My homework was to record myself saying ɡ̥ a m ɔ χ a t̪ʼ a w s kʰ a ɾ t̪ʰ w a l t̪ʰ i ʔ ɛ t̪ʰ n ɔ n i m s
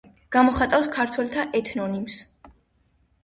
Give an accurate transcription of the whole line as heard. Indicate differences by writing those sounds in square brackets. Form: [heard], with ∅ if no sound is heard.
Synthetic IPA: ɡ̥ a m ɔ χ a t̪ʼ a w s kʰ a ɾ t̪ʰ w [ɛ] l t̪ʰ [a] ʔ ɛ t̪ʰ n ɔ n i m s